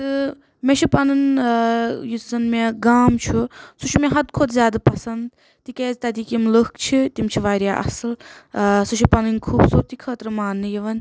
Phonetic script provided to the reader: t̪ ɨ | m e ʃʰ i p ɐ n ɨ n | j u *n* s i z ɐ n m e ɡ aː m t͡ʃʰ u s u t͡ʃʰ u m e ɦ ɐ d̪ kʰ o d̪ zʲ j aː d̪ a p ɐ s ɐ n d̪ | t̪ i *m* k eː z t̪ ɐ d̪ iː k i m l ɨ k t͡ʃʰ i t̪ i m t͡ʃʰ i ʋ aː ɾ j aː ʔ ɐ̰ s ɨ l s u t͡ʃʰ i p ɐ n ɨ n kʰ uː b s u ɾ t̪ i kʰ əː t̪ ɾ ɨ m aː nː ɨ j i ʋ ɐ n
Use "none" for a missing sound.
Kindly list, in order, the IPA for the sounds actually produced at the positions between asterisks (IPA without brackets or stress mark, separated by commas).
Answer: none, none